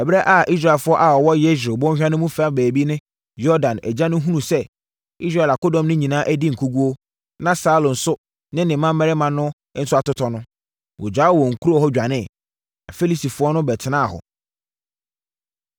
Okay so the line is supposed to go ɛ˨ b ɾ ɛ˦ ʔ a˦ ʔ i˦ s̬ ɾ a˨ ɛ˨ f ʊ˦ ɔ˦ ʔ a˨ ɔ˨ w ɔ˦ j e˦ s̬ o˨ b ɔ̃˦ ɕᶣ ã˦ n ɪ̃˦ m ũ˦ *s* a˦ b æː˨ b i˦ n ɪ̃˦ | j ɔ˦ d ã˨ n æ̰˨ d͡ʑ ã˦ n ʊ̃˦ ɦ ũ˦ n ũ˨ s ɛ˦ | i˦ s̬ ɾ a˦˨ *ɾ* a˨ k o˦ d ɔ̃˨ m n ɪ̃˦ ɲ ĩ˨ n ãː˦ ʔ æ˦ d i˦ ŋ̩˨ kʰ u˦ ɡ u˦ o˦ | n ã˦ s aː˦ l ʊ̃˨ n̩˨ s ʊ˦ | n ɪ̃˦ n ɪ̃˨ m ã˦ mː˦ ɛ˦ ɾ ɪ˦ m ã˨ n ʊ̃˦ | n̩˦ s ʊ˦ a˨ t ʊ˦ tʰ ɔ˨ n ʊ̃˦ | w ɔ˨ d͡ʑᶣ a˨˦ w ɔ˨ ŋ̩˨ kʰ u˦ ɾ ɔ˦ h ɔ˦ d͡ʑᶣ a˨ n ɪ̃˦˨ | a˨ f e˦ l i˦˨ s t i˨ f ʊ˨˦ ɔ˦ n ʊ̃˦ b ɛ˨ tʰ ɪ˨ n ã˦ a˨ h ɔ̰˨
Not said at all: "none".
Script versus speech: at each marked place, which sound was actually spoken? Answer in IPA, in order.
f, l

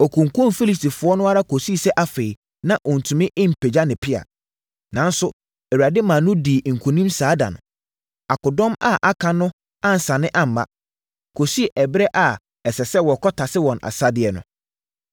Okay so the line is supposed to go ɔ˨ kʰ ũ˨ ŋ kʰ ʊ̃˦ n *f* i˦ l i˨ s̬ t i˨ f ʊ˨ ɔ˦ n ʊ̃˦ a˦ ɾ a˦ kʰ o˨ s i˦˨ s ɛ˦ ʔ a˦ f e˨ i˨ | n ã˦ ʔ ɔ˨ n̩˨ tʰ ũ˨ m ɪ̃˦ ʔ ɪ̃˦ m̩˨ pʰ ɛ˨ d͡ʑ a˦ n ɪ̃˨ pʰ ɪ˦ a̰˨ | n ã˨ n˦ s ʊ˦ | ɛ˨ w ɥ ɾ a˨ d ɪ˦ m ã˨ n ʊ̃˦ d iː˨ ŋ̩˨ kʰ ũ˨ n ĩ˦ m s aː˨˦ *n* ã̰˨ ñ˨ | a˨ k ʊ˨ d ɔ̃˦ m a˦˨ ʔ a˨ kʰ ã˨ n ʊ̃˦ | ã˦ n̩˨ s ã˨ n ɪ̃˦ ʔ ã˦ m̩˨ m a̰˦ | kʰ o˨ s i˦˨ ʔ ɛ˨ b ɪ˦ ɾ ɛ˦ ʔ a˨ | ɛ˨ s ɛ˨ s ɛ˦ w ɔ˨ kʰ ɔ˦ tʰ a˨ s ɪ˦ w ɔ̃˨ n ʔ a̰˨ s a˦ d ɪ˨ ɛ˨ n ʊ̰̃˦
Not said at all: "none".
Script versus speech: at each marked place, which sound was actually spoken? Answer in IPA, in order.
f, d

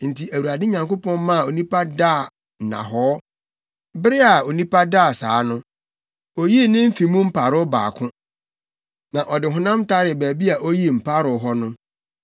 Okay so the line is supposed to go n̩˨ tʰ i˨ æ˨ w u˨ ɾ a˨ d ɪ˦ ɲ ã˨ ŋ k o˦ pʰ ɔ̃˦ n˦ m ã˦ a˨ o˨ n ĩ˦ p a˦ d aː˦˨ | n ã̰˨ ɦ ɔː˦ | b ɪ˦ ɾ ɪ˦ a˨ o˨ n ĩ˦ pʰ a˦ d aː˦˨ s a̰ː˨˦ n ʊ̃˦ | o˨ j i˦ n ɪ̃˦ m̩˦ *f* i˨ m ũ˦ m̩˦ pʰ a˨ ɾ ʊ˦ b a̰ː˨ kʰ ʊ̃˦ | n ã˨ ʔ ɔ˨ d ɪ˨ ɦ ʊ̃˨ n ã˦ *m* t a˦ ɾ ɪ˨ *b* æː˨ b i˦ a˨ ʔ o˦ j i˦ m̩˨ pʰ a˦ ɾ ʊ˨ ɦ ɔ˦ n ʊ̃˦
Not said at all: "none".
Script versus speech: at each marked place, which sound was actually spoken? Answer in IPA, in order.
f, m, b

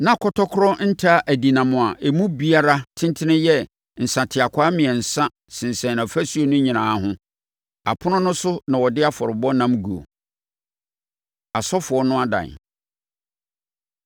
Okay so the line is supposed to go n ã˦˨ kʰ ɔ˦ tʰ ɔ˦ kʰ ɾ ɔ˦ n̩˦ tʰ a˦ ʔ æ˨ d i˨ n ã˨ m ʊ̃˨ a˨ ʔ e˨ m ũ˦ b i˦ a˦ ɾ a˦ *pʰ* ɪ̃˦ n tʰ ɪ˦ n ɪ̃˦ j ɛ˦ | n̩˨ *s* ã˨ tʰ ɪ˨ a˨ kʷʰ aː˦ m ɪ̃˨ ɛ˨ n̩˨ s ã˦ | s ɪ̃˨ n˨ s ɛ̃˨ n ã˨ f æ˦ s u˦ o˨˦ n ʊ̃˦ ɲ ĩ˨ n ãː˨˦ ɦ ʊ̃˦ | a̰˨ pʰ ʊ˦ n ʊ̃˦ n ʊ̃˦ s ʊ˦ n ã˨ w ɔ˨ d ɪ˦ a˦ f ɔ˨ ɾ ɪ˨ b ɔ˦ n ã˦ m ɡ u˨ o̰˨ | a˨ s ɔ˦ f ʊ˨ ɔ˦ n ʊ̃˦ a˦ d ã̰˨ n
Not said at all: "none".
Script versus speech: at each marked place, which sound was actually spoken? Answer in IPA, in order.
tʰ, s

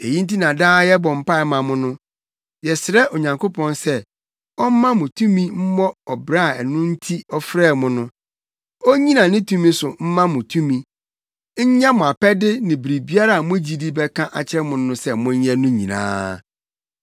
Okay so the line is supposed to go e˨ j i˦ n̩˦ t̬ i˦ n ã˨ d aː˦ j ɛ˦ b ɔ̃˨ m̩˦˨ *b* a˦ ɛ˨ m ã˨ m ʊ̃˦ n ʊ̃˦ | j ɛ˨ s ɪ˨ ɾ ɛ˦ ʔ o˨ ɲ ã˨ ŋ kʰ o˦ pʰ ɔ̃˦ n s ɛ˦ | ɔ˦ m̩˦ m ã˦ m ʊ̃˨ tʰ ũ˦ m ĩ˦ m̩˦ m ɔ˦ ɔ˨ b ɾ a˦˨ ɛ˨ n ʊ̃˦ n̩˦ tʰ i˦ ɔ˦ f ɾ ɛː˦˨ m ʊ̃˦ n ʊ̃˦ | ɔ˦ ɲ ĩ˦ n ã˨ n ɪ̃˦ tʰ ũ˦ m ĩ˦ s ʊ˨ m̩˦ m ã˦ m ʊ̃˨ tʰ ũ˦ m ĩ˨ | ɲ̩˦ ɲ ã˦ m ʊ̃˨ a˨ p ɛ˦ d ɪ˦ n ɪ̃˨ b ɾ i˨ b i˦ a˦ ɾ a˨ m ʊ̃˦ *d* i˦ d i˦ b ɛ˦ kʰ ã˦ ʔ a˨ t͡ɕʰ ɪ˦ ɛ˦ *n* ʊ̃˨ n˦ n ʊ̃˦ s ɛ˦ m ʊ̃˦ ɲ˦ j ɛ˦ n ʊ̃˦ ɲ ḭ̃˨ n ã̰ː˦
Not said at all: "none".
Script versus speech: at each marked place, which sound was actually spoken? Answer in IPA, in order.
p, d͡ʑ, m

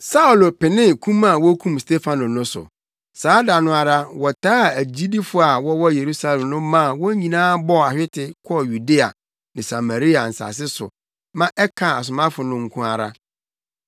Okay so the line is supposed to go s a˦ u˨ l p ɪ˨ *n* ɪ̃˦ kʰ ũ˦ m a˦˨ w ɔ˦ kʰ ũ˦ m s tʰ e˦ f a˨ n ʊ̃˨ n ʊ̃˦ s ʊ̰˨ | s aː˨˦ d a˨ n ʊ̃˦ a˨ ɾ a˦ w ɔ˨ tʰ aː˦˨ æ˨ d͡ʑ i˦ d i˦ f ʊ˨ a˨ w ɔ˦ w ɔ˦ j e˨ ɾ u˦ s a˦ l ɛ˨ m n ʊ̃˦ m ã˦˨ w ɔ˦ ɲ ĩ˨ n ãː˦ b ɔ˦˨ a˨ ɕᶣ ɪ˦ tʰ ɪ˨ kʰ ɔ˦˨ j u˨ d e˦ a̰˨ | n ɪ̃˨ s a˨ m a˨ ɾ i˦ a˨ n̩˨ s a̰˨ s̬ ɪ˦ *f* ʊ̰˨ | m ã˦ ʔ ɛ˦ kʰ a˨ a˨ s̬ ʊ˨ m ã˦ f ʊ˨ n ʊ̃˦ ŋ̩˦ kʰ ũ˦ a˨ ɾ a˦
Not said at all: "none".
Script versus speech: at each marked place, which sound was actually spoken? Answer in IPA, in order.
n, s

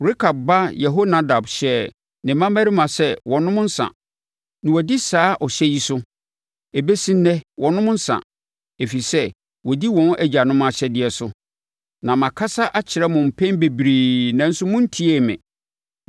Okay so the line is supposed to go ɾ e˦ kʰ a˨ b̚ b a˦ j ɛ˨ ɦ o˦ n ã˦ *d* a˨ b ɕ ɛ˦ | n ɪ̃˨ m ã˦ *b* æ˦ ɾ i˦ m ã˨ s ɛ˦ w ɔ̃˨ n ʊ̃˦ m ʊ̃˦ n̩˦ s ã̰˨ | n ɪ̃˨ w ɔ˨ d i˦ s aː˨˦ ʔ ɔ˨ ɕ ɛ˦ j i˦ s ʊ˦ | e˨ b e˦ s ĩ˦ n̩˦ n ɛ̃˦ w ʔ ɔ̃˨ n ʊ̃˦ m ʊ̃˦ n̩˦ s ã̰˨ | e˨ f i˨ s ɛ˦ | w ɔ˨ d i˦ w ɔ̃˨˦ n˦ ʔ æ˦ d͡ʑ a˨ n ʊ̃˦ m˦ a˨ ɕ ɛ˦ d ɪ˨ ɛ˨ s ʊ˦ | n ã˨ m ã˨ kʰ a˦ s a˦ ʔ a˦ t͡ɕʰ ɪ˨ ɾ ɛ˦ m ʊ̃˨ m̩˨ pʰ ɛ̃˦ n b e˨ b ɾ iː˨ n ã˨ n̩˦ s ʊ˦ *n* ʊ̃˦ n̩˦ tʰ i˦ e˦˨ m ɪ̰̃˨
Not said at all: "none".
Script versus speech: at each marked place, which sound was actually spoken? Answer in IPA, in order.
d, m, m

